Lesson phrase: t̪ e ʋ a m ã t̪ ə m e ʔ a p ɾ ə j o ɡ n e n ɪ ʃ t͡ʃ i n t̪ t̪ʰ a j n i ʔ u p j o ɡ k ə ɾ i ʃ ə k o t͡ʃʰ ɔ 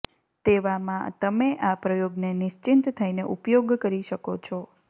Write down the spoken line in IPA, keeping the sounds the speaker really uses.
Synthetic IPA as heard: t̪ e ʋ a m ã t̪ ə m e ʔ a p ɾ ə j o ɡ n e n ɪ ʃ t͡ʃ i n t̪ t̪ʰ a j n e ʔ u p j o ɡ k ə ɾ i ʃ ə k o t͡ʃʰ ɔ